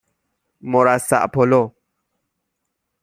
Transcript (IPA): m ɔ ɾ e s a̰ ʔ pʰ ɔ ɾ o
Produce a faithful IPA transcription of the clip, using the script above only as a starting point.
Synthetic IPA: m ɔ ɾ a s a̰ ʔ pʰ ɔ l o